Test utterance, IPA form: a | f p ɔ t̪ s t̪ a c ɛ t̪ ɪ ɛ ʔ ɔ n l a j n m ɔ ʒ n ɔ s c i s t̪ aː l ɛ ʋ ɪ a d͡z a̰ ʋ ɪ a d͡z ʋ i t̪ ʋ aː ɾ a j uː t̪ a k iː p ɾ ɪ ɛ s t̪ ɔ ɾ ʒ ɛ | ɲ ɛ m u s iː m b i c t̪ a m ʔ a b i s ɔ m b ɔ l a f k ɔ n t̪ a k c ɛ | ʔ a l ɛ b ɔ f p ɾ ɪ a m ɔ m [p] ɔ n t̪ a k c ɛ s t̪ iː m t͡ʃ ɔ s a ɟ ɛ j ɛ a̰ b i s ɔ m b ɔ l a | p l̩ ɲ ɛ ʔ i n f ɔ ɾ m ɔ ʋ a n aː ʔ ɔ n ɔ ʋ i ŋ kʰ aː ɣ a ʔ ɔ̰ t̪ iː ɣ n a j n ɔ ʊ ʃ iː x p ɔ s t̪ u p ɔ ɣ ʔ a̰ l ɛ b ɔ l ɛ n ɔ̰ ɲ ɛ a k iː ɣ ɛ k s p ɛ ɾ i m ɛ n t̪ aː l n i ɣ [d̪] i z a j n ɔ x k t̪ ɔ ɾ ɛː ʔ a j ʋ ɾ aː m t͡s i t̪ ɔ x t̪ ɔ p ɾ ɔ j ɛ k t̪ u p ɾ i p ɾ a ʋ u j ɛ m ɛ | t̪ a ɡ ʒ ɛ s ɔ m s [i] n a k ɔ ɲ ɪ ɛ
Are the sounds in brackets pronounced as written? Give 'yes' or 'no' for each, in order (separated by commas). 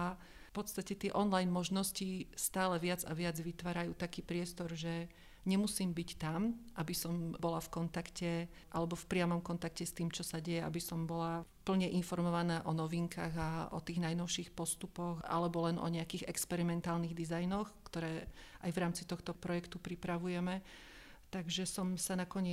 no, yes, no